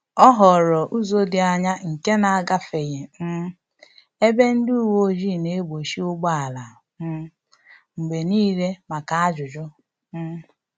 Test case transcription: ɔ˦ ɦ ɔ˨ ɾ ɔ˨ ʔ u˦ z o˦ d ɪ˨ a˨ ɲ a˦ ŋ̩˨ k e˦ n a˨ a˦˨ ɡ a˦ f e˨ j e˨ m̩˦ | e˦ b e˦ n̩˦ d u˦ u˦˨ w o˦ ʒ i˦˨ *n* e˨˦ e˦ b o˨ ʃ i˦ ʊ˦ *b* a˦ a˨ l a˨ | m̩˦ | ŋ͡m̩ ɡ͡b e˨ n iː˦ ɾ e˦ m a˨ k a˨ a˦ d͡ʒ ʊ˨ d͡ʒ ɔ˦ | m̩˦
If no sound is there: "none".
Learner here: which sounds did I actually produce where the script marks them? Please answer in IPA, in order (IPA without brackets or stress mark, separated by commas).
n, ɡ͡b